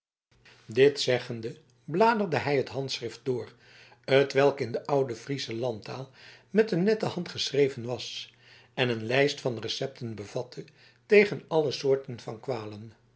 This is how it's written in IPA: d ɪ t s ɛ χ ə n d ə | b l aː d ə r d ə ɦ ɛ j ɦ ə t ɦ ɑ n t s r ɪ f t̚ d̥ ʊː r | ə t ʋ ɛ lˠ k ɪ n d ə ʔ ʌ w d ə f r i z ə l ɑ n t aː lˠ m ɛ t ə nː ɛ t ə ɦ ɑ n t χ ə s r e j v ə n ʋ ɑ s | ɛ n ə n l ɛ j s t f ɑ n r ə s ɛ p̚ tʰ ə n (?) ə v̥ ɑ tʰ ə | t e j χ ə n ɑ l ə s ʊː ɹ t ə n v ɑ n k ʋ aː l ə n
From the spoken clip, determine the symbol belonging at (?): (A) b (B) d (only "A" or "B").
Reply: A